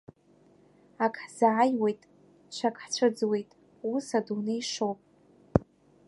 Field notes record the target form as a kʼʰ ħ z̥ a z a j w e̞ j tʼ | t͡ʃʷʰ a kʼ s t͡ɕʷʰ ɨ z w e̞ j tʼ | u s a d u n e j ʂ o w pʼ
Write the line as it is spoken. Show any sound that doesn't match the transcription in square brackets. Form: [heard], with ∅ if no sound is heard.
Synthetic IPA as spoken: a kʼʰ ħ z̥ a [ʕ] a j w e̞ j tʼ | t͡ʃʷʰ a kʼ [ħ] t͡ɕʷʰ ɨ [d͡z] w e̞ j tʼ | u s a d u n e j ʂ o w pʼ